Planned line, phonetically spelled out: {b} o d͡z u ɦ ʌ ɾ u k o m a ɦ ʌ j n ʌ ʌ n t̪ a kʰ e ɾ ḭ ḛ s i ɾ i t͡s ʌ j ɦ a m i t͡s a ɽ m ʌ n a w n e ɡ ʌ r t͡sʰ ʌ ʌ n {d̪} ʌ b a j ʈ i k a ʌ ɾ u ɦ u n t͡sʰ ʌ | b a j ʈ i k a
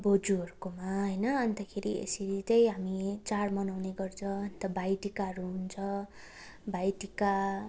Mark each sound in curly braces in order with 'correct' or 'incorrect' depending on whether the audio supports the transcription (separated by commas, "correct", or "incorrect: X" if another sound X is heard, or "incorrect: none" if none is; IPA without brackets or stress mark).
correct, incorrect: t̪